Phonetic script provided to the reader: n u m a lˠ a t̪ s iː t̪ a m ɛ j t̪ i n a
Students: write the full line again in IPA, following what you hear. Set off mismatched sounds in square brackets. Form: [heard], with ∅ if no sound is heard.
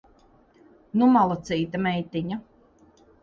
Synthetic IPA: n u m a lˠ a t̪ s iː t̪ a m ɛ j t̪ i [ɲ] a